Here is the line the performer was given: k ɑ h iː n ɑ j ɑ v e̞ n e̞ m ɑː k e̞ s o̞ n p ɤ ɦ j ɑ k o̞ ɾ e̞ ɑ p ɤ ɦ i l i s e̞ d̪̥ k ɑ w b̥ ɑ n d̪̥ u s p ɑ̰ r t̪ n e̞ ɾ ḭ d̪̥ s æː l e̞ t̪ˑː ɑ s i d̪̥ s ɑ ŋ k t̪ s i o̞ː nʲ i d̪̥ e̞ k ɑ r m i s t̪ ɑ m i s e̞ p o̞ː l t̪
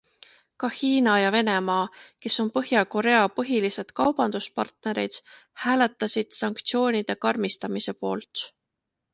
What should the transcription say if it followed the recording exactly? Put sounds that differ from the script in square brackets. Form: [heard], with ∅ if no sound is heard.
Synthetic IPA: k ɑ h iː n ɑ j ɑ v e̞ n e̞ m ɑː k e̞ s o̞ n p ɤ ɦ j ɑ k o̞ ɾ e̞ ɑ p ɤ ɦ i l i s e̞ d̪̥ k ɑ w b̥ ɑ n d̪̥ u s p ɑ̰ r t̪ n e̞ ɾ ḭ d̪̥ [h] æː l e̞ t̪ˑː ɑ s i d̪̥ s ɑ ŋ k t̪ s i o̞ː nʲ i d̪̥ e̞ k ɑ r m i s t̪ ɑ m i s e̞ p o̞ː l t̪